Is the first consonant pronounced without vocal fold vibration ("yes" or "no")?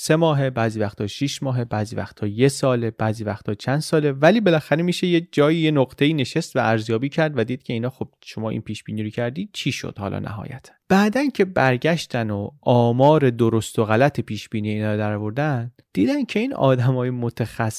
yes